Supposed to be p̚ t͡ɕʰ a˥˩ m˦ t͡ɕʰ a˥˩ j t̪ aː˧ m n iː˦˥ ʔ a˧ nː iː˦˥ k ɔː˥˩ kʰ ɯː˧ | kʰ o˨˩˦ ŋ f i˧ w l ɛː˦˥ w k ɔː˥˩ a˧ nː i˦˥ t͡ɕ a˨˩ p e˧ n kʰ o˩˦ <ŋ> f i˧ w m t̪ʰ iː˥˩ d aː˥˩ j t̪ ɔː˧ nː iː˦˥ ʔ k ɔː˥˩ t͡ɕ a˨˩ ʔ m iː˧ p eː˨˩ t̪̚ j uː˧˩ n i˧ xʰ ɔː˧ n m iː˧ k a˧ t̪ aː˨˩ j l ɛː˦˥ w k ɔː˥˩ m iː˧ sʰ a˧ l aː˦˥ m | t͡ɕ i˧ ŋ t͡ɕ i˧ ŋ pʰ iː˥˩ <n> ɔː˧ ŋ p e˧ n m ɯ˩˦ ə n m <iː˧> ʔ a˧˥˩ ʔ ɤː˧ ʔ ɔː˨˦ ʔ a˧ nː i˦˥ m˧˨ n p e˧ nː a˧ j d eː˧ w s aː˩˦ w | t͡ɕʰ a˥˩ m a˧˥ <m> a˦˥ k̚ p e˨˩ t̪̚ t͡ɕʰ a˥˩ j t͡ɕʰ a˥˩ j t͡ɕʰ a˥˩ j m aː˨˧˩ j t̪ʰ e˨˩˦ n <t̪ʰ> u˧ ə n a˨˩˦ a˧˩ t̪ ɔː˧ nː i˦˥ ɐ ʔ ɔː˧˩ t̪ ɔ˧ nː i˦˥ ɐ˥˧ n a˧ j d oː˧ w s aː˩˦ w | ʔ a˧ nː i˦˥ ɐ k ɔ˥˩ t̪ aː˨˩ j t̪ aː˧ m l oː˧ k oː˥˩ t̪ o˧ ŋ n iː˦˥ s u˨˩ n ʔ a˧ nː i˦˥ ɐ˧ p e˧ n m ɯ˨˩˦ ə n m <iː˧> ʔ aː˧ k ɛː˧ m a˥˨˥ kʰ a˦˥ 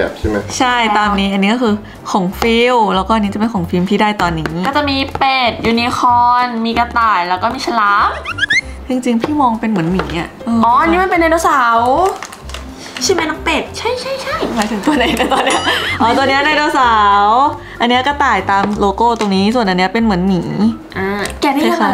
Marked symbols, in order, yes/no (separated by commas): yes, no, no, no, no, no